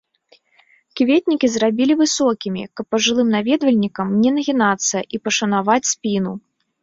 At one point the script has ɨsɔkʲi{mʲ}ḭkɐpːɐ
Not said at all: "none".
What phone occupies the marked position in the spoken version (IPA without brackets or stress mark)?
mʲ